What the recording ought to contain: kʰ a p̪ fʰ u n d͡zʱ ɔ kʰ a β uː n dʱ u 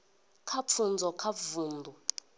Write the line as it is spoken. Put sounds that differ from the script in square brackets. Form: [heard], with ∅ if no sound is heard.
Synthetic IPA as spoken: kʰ a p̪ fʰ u n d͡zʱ ɔ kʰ a [v] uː n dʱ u